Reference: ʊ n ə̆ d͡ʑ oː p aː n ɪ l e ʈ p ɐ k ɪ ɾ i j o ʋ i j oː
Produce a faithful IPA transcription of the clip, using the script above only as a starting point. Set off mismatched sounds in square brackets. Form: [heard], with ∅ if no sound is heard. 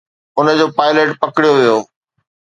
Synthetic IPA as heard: ʊ n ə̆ d͡ʑ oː p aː [∅] ɪ l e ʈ p ɐ k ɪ [ɽ] i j o ʋ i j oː

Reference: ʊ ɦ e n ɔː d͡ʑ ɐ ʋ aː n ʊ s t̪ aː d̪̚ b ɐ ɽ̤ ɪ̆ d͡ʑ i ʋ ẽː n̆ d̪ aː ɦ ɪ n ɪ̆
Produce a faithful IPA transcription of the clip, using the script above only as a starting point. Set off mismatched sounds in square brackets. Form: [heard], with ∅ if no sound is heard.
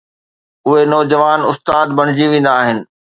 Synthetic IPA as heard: ʊ ɦ e n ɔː d͡ʑ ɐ ʋ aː n ʊ s t̪ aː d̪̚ b ɐ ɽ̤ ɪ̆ d͡ʑ i ʋ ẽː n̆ d̪ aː ɦ ɪ n ɪ̆

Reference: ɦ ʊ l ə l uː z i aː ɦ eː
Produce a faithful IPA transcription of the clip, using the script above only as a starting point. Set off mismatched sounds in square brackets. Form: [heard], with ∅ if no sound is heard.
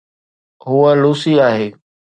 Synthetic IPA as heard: ɦ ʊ [∅] ə l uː [s] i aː ɦ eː

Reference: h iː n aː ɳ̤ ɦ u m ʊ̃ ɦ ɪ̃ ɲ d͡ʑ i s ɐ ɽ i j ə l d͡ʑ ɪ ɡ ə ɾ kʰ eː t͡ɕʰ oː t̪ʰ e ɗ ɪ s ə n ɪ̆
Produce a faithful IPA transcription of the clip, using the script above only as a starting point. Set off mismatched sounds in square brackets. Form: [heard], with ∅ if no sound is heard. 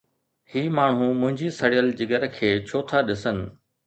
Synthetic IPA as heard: h iː [m] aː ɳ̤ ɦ u m ʊ̃ ɦ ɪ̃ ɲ d͡ʑ i s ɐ ɽ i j ə l d͡ʑ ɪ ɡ ə ɾ kʰ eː t͡ɕʰ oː t̪ʰ [a] ɗ ɪ s ə n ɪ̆

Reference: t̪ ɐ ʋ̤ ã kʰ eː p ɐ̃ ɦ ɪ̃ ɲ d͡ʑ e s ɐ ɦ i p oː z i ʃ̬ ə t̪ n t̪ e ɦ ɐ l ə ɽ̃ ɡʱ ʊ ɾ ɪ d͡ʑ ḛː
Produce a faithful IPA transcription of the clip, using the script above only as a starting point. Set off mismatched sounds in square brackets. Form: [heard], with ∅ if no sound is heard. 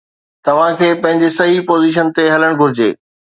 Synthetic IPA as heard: t̪ ɐ ʋ̤ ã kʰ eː p ɐ̃ ɦ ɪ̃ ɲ d͡ʑ e s ɐ ɦ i p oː z i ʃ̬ ə [∅] n t̪ e ɦ ɐ l ə ɽ̃ ɡʱ ʊ ɾ ɪ d͡ʑ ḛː

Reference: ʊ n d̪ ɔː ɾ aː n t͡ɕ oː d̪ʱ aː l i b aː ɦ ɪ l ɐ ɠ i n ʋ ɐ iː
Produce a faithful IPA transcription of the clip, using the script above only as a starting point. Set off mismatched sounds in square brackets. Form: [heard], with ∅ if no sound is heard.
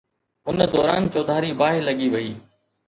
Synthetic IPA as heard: ʊ n d̪ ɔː ɾ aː n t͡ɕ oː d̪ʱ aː [ɾ] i b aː ɦ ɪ l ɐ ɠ i [∅] ʋ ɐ iː

